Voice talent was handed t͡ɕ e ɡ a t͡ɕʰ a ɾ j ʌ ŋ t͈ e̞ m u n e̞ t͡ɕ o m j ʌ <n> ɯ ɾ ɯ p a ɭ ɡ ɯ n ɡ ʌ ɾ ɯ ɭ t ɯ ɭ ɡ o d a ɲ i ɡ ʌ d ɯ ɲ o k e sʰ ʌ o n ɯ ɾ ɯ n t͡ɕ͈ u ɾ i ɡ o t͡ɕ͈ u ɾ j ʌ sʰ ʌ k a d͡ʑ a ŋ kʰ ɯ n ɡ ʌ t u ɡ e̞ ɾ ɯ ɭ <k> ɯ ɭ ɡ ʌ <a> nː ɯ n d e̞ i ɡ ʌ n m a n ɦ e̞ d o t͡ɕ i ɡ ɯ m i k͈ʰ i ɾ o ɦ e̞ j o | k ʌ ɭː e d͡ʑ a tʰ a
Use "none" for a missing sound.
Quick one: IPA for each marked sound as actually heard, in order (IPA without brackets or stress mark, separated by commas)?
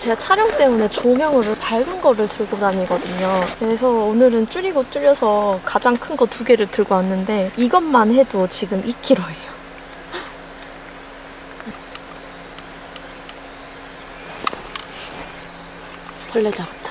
ŋ, t, a